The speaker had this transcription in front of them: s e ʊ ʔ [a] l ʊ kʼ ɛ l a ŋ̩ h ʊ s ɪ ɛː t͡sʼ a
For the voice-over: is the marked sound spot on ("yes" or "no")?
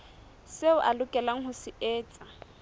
yes